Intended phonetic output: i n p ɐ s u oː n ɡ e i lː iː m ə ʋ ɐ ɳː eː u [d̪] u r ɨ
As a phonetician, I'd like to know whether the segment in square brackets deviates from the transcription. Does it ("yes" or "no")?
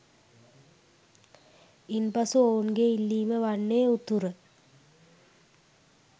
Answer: yes